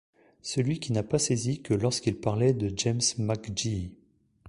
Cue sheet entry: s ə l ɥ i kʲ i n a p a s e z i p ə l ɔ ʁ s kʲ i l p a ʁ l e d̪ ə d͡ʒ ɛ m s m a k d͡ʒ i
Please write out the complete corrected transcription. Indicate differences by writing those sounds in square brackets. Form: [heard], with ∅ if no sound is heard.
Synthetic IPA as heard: s ə l ɥ i kʲ i n a p a s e z i [k] ə l ɔ ʁ s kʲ i l p a ʁ l [ɛ] d̪ ə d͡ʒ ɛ m s m a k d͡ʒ i